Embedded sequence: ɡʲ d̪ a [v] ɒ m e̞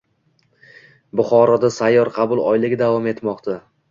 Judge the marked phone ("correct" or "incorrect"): correct